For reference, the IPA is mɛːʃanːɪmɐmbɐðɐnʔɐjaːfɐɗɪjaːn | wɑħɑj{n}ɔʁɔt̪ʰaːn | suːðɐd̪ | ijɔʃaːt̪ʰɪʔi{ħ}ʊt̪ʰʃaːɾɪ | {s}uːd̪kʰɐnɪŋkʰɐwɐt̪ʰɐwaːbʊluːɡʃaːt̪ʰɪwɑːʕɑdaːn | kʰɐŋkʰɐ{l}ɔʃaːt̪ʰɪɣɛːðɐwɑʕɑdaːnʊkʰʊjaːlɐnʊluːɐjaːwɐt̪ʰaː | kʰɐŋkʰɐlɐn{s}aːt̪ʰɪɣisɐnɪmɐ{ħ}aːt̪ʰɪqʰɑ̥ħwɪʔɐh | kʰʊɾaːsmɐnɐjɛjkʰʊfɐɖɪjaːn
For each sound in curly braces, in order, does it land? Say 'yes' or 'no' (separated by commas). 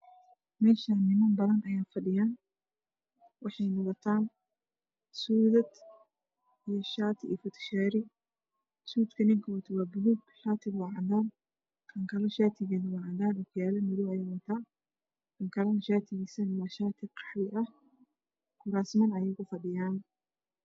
yes, no, yes, yes, no, no